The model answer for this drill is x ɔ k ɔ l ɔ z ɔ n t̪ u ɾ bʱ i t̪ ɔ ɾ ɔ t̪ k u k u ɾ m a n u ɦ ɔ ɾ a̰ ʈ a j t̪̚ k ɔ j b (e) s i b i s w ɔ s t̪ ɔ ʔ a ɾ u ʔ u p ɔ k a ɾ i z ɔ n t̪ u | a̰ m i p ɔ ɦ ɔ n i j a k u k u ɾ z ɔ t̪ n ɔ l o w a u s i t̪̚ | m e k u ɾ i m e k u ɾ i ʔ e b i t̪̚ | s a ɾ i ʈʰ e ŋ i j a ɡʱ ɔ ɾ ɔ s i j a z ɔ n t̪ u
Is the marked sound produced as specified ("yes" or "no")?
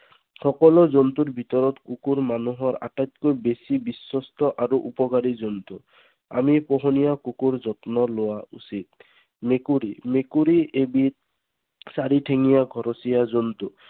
yes